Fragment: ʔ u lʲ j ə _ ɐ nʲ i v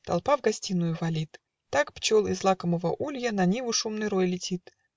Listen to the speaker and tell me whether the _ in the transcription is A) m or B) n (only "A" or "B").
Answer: B